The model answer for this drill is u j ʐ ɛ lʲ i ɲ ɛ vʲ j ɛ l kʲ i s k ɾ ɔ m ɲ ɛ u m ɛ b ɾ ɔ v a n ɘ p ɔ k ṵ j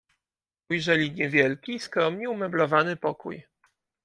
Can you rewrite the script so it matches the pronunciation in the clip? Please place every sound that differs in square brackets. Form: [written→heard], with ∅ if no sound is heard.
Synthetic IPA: u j ʐ ɛ lʲ i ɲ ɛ vʲ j ɛ l kʲ i s k ɾ ɔ m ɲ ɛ u m ɛ b [ɾ→l] ɔ v a n ɘ p ɔ k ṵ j